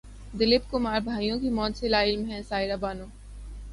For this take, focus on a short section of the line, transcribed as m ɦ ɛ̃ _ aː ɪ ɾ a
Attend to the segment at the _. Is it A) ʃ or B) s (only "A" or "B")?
B